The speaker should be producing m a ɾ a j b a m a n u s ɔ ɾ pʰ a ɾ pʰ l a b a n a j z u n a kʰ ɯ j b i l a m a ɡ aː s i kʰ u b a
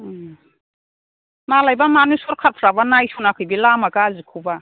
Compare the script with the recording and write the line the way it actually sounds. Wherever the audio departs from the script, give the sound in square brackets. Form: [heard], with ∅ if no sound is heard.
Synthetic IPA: m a [l] a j b a m a n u s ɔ ɾ [kʰ] a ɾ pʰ [ɾ] a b a n a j [s] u n a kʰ ɯ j b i l a m a ɡ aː [z] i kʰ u b a

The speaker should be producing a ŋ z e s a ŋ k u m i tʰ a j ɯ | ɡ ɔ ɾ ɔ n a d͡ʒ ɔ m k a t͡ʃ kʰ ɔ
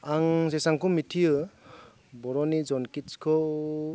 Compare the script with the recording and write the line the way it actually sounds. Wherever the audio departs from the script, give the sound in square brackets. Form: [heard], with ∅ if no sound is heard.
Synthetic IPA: a ŋ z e s a ŋ k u m i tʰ [i] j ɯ | [b] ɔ ɾ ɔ n [i] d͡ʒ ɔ [n] k [i] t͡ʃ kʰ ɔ

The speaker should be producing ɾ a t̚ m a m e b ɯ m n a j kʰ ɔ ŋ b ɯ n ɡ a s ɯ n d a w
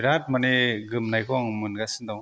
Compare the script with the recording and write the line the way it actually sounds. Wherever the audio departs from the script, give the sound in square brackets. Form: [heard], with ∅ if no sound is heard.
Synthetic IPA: ɾ a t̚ m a [n] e [ɡ] ɯ m n a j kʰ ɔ ŋ [m] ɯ n ɡ a s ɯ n d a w

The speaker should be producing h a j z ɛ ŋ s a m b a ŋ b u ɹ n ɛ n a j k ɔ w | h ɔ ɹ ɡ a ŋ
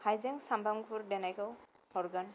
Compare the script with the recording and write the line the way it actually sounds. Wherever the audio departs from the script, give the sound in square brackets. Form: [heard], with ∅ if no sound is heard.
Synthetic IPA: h a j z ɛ ŋ s a m b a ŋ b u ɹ [d] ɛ n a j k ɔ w | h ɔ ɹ ɡ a [n]

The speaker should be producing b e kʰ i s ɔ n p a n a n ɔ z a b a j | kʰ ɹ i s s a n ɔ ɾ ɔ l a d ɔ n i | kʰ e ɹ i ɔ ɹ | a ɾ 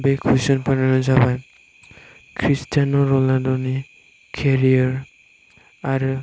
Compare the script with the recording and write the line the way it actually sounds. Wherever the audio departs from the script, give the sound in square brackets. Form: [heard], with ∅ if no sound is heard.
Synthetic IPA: b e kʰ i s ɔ n p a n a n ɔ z a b a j | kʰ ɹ i s [t] a n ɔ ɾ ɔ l a d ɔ n i | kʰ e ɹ i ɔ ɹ | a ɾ

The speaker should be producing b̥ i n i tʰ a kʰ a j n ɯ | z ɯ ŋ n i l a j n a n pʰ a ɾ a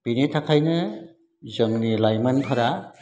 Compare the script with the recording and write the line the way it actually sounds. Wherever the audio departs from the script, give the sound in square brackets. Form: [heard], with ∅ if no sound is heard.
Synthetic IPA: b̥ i n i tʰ a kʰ a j n ɯ | z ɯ ŋ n i l a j [m] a n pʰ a ɾ a

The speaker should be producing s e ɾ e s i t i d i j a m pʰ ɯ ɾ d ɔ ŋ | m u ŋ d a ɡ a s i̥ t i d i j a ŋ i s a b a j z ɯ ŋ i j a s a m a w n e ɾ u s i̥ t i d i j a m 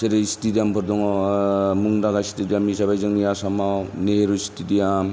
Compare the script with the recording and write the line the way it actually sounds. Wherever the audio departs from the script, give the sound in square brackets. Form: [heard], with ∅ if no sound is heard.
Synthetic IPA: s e ɾ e s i t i d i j a m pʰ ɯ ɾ d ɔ ŋ | m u ŋ d a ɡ a s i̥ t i d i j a [m] i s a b a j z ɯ ŋ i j a s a m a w n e ɾ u s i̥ t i d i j a m

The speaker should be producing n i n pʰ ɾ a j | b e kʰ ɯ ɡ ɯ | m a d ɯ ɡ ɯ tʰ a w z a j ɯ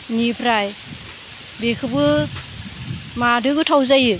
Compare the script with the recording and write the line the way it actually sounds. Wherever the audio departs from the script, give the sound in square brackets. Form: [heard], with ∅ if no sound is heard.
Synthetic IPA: n i [∅] pʰ ɾ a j | b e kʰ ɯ [b] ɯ | m a d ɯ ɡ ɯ tʰ a w z a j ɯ

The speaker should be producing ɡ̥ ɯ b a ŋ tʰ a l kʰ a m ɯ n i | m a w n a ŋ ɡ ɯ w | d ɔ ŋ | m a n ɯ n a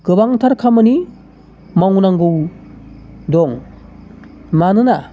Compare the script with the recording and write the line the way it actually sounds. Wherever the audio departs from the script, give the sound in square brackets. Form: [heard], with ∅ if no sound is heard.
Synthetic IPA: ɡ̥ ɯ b a ŋ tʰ a [ɾ] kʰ a m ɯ n i | m a w n a ŋ ɡ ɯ w | d ɔ ŋ | m a n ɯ n a

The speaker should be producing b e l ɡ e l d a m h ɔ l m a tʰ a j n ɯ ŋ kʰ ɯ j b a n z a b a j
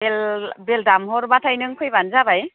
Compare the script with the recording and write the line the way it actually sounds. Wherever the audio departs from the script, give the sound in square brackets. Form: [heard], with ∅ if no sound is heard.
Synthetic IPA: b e l [b] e l d a m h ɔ [ɾ] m a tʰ a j n ɯ ŋ kʰ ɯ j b a n z a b a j

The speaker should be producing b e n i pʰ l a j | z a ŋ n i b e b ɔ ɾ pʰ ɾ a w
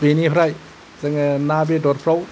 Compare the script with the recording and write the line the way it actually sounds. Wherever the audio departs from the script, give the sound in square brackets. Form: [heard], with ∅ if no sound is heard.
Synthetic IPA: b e n i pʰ [ɾ] a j | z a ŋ n [a] b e [d] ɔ ɾ pʰ ɾ a w

